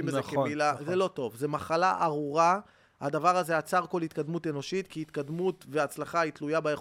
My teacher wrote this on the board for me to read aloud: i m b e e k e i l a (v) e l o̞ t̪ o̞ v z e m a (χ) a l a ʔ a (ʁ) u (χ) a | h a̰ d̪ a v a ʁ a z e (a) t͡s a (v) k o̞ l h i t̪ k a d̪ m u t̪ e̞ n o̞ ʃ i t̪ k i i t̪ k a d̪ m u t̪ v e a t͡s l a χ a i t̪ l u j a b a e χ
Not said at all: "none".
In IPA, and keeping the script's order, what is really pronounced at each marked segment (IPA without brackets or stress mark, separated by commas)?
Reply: z, χ, ʁ, ʁ, a, ʁ